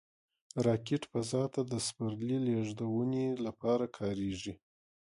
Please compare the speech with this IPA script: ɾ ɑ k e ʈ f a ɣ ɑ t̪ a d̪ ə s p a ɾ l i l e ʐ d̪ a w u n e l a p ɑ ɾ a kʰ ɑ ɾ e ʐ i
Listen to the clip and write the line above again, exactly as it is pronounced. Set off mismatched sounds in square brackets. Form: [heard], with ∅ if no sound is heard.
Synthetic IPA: ɾ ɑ k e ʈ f a [z] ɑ t̪ a d̪ ə s p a ɾ l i l e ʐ d̪ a w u n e l a p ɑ ɾ a kʰ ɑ ɾ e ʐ i